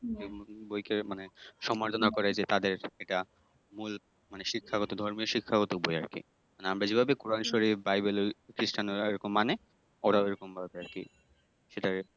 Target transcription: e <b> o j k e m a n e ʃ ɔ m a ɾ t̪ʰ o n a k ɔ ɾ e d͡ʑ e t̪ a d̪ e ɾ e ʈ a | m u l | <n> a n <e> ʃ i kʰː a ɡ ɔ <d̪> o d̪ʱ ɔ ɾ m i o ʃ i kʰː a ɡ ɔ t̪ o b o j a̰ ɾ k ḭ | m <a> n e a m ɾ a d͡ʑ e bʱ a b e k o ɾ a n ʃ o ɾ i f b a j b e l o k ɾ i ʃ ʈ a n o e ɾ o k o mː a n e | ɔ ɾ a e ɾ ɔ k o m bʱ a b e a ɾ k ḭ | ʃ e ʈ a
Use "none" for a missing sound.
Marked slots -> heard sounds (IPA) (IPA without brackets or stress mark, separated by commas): b, m, e, t̪, a